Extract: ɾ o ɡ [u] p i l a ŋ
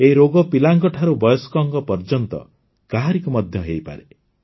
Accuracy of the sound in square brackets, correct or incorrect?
incorrect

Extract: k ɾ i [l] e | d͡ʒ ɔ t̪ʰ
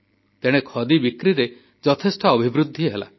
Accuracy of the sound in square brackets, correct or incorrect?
incorrect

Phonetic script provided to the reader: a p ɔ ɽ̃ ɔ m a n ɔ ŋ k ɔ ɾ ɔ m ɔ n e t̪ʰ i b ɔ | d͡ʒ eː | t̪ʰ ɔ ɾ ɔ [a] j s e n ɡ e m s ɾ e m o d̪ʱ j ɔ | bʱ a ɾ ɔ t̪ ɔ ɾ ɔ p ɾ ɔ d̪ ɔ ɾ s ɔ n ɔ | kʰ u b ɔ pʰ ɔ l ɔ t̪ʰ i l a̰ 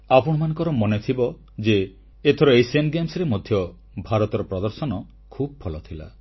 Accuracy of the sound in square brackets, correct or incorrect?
incorrect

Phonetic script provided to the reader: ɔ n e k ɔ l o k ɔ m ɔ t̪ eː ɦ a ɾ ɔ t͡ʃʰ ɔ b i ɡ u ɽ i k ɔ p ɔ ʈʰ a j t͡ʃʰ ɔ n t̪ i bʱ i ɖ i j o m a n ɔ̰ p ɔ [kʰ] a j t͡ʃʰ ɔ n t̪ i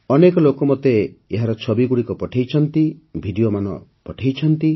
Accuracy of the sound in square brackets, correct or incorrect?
incorrect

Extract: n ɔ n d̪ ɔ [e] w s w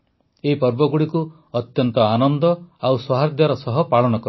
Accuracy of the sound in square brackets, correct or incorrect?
incorrect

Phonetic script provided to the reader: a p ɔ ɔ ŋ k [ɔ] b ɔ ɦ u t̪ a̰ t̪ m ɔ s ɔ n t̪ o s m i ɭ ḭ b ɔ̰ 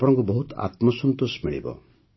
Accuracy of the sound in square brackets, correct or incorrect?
incorrect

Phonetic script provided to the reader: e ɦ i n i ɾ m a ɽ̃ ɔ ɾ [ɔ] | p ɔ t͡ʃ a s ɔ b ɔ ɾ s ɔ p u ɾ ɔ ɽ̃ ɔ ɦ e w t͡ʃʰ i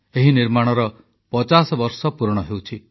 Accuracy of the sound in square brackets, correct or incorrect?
correct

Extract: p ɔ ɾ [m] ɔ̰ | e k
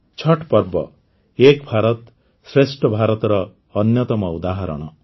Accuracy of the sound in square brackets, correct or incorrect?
incorrect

